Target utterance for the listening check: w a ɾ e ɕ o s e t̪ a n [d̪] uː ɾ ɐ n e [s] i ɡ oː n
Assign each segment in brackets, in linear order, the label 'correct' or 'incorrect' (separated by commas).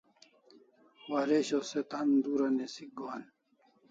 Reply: correct, correct